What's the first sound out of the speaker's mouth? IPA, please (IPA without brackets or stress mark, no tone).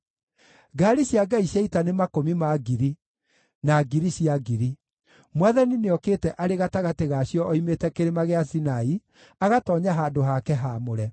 ɡ